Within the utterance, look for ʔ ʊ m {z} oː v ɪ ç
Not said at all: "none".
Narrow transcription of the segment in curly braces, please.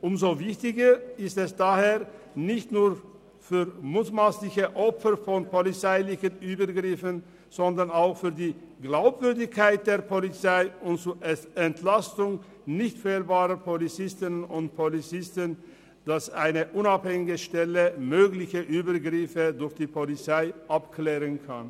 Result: z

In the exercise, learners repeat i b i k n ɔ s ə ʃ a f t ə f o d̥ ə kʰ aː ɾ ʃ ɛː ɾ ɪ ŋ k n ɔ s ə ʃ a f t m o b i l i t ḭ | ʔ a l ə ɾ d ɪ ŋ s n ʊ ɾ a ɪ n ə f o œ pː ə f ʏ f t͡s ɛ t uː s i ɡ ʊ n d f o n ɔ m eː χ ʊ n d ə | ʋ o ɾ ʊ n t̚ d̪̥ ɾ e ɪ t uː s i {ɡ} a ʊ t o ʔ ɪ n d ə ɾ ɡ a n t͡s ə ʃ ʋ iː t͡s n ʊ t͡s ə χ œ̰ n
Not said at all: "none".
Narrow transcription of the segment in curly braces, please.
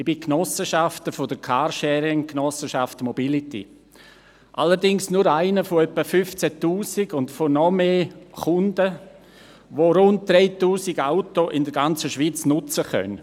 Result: ɡ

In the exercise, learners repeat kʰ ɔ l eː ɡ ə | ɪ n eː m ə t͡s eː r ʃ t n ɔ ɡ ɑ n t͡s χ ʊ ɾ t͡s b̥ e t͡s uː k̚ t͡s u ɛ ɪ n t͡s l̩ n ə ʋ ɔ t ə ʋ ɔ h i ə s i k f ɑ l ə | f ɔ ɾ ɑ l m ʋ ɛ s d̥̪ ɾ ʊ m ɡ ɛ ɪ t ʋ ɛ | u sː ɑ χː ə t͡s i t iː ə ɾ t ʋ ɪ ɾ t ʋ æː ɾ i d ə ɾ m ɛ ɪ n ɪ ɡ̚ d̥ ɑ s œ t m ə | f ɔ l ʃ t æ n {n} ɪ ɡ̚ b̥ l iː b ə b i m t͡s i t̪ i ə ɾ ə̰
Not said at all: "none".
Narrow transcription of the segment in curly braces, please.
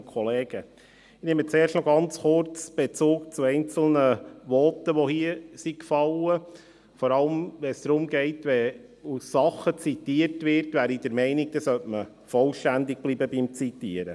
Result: d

